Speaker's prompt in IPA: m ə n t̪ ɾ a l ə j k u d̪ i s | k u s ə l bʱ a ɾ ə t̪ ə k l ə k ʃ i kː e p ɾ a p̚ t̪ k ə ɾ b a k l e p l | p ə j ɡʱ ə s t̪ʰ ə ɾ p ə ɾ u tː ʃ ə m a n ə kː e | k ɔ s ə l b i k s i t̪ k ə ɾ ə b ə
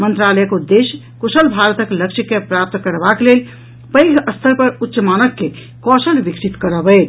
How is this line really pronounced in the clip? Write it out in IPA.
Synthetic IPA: m ə n t̪ ɾ a l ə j k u d̪ e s | k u s ə l bʱ a ɾ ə t̪ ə k l ə k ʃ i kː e p ɾ a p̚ t̪ k ə ɾ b a k l e l | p ə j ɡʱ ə s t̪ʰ ə ɾ p ə ɾ u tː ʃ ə m a n ə kː e | k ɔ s ə l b i k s i t̪ k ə ɾ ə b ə